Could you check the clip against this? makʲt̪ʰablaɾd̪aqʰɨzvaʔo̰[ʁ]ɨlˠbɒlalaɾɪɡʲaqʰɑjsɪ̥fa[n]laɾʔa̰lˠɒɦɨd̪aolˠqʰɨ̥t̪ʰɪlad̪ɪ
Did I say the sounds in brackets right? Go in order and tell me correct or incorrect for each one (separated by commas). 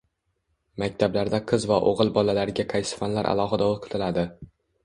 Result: correct, correct